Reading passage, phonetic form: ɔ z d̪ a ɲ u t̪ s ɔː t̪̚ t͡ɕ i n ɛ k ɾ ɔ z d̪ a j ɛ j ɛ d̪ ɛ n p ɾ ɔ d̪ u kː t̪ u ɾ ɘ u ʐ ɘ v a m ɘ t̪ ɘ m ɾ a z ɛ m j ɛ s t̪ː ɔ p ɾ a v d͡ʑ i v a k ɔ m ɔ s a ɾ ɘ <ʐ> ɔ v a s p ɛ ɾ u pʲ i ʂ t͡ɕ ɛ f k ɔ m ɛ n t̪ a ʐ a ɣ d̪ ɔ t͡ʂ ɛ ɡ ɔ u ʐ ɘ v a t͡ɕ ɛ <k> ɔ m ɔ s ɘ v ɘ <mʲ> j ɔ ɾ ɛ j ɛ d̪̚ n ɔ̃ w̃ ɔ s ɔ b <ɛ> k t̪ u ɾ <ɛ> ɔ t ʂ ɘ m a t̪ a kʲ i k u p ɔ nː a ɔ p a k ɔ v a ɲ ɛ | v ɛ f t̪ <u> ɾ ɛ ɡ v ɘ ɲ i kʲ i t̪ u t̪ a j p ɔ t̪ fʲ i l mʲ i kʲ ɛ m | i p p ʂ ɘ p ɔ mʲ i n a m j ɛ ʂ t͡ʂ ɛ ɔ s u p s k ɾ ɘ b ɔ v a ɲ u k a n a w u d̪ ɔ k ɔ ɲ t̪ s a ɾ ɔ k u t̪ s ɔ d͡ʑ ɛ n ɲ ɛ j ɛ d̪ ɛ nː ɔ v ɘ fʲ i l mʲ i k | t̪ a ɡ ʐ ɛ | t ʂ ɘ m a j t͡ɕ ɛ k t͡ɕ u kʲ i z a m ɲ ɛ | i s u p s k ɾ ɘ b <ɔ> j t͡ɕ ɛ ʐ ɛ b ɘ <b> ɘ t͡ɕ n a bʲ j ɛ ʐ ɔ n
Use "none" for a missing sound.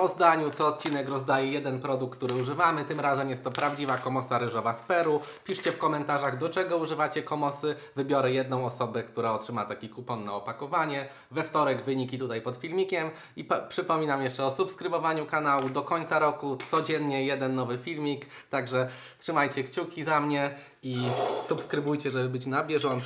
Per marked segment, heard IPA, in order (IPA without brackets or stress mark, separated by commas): ʐ, k, bʲ, ɛ, a, ɔ, u, b